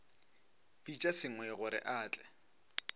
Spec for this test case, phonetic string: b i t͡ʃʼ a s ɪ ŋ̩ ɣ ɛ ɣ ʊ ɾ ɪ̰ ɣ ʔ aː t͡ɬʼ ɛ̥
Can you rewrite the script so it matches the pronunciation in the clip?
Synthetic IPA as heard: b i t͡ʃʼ a s ɪ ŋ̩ w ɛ ɣ ʊ ɾ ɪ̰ ʔ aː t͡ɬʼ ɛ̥